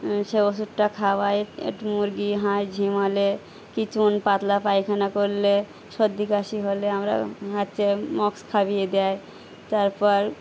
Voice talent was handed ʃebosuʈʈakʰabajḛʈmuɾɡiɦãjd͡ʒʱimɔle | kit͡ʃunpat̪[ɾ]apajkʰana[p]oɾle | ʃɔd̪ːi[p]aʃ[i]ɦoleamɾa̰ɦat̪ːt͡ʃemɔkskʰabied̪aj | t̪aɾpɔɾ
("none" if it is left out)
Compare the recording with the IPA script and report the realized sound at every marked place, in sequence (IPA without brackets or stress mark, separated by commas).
l, k, k, i